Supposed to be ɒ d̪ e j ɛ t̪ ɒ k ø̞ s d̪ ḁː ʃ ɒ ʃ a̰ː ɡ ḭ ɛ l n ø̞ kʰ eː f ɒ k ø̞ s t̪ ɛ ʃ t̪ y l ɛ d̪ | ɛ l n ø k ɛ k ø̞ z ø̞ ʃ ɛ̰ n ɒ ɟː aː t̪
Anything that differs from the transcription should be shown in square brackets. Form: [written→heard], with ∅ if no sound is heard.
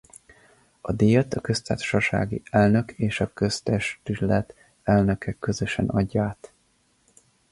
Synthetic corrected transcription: ɒ d̪ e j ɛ t̪ ɒ k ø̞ s [d̪→t̪] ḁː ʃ ɒ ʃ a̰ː ɡ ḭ ɛ l n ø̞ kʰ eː [f→ʃ] ɒ k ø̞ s t̪ ɛ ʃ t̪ y l ɛ [d̪→t̪] | ɛ l n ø k ɛ k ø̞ z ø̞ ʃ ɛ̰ n ɒ ɟː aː t̪